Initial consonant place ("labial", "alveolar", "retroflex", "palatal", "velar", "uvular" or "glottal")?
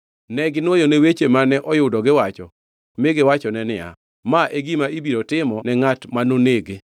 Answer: alveolar